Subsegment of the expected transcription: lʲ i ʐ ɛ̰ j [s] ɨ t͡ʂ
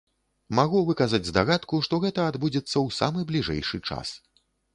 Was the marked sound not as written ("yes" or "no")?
yes